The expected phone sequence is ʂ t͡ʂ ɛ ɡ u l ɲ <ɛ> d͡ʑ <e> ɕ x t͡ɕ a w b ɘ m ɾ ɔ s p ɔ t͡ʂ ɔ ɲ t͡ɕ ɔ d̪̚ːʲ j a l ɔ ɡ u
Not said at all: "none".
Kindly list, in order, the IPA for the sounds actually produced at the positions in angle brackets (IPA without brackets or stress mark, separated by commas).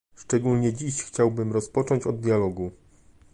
ɛ, i